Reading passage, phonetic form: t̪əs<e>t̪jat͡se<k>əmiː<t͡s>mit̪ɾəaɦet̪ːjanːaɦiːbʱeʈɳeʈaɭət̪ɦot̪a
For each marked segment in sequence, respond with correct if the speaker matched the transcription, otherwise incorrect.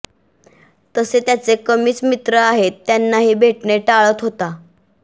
correct, correct, correct

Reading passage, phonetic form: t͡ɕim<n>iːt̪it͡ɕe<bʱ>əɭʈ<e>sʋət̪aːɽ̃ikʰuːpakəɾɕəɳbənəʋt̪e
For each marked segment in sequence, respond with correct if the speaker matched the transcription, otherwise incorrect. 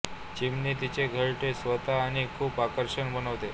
correct, incorrect: ɡʱ, correct

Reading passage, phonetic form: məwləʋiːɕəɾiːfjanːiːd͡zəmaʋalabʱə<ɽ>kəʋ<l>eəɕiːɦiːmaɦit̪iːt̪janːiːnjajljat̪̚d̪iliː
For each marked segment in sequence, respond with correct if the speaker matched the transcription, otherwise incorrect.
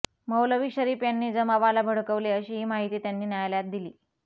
correct, correct

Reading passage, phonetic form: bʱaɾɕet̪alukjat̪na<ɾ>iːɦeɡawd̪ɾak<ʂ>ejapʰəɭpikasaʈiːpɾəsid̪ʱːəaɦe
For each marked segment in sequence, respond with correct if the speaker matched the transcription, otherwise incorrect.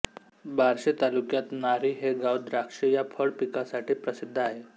correct, correct

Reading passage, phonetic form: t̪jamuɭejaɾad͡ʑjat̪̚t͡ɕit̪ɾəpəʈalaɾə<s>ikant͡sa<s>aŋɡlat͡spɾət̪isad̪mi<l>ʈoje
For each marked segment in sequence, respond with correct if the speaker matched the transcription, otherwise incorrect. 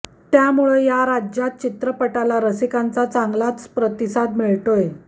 correct, incorrect: t͡s, incorrect: ɭ

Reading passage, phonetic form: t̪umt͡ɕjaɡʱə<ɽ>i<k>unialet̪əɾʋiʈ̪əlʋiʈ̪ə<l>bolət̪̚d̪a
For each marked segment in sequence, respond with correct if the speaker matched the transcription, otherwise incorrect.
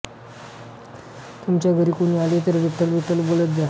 incorrect: ɾ, correct, correct

